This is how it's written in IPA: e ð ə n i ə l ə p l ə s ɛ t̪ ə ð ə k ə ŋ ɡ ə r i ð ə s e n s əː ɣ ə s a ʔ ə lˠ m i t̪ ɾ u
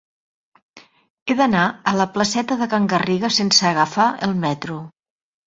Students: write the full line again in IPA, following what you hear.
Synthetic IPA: e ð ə n a ə l ə p l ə s ɛ t̪ ə ð ə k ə ŋ ɡ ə r i ɣ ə s e n s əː ɣ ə f a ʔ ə lˠ m ɛ t̪ ɾ u